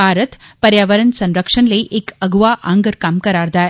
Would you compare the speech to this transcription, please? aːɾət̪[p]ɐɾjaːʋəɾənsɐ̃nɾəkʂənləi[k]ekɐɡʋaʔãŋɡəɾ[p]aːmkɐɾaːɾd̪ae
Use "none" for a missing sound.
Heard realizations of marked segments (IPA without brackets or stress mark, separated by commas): p, ʔ, k